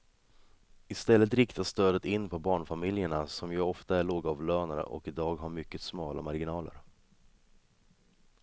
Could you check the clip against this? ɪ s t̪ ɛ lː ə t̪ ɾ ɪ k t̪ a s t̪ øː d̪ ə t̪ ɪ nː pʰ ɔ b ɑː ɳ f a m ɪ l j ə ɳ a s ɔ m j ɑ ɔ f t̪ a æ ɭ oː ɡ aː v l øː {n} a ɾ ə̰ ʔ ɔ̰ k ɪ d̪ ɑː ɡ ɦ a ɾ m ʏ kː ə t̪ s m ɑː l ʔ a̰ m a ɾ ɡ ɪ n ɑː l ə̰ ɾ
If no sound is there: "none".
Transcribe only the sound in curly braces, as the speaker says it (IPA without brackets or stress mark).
n